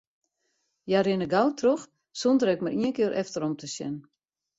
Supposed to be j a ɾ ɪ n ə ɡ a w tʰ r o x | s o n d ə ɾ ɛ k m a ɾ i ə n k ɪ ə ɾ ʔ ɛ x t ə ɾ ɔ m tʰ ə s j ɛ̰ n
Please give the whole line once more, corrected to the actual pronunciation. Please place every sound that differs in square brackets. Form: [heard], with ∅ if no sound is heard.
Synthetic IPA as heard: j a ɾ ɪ n ə ɡ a w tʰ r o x | s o n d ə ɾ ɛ k m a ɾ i ə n k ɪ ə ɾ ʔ ɛ [f] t ə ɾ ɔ m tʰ ə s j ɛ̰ n